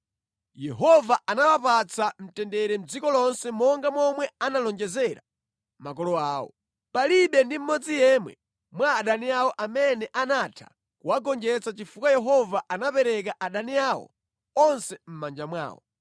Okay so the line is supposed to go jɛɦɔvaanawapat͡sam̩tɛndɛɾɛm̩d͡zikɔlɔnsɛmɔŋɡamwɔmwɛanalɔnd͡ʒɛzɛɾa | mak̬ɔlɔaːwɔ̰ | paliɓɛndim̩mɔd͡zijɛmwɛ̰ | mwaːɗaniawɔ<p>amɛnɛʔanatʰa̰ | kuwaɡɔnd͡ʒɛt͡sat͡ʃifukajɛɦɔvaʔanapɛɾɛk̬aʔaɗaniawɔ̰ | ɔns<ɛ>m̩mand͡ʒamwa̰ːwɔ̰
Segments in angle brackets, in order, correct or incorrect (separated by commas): incorrect, correct